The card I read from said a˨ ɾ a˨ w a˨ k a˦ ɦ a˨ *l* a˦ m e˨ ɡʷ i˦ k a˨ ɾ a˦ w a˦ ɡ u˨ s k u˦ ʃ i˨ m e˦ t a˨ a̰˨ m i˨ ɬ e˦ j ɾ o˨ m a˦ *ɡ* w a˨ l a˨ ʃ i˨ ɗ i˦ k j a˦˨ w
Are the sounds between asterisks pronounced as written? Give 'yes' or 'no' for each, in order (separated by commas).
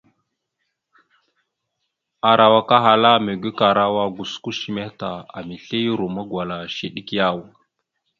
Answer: yes, yes